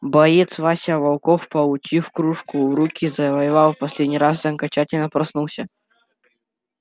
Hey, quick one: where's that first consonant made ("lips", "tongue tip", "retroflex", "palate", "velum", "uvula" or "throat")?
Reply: lips